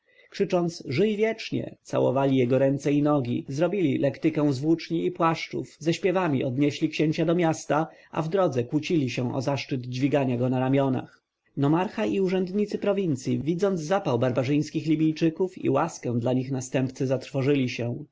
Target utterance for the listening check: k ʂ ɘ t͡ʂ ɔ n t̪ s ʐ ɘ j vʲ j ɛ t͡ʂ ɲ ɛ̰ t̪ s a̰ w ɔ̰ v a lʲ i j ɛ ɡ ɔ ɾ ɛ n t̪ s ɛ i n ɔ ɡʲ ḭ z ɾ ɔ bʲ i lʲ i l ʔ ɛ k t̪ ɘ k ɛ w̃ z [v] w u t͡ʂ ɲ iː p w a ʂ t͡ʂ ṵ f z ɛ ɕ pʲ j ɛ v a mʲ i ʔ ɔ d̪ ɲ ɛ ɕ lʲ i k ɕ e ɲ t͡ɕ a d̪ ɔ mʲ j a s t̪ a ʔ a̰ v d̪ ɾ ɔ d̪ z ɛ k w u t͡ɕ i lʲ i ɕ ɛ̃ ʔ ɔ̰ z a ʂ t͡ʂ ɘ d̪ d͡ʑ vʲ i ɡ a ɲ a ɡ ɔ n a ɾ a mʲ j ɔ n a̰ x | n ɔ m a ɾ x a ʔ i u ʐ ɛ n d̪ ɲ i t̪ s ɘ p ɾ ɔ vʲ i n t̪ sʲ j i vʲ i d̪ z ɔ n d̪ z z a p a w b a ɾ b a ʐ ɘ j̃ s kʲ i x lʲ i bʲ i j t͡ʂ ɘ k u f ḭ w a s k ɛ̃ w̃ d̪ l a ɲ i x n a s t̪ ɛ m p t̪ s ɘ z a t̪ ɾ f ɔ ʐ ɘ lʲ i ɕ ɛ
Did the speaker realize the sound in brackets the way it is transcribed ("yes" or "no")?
yes